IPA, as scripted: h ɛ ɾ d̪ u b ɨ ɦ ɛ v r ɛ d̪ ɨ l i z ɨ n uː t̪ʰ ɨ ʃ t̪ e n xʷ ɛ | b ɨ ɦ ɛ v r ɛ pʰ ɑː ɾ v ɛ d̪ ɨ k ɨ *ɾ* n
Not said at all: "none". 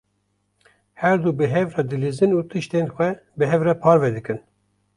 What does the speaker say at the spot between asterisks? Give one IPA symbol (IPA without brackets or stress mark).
none